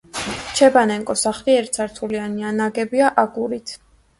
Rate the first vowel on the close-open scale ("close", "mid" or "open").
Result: mid